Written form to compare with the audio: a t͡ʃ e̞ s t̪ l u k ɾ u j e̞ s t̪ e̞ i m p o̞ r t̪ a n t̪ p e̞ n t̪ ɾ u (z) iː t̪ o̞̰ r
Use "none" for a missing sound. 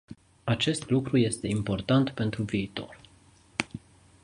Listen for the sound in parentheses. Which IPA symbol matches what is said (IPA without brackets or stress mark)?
v